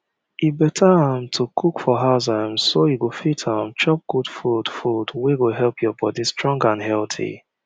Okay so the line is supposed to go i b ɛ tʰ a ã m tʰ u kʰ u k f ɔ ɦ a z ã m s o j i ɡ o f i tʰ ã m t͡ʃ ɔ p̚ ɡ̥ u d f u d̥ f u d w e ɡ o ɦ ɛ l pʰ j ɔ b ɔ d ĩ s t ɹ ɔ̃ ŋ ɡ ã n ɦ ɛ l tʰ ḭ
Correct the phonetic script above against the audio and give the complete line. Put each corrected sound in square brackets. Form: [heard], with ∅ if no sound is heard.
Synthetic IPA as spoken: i b ɛ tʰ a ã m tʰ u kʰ u k f ɔ ɦ a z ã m s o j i ɡ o f i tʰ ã m t͡ʃ ɔ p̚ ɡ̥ u d f u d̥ f u d w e ɡ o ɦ ɛ l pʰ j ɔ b ɔ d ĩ s t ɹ ɔ̃ ŋ ɡ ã n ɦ ɛ l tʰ ḭ